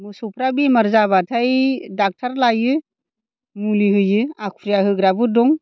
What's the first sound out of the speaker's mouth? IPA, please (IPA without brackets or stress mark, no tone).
m